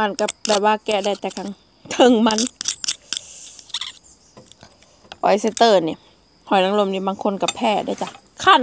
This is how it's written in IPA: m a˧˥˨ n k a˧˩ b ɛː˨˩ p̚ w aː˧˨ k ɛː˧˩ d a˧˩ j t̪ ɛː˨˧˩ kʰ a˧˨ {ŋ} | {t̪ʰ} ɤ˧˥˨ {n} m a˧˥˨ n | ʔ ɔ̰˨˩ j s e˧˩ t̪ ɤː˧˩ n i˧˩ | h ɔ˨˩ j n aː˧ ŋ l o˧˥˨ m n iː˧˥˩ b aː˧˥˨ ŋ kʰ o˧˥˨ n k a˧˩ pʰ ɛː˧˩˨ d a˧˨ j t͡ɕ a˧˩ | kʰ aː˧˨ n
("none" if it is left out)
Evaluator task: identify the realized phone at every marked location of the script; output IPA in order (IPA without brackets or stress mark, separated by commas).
ŋ, t̪ʰ, ŋ